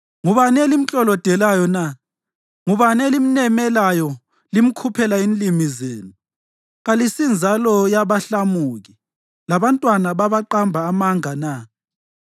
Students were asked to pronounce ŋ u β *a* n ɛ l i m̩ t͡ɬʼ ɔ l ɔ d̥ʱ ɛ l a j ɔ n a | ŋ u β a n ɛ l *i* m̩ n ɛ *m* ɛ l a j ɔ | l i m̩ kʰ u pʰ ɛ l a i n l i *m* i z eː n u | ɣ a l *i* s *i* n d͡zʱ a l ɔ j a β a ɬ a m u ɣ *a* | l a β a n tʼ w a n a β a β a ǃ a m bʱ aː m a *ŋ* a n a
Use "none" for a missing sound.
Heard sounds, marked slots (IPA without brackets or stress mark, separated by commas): a, i, m, m, i, i, i, ŋ